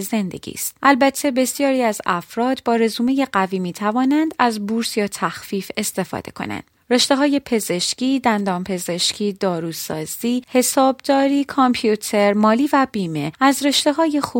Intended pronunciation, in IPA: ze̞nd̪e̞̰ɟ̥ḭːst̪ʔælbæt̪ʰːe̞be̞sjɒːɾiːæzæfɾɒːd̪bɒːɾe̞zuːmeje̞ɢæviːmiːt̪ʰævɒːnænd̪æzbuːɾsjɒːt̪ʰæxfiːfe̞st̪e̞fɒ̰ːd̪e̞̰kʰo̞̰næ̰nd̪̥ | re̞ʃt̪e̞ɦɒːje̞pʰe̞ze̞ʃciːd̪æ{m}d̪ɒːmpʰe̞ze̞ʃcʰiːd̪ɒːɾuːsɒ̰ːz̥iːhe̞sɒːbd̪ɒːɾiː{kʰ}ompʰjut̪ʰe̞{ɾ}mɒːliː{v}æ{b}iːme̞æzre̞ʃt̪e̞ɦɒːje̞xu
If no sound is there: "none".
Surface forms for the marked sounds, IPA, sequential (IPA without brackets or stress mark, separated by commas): n, kʰ, ɾ, v, b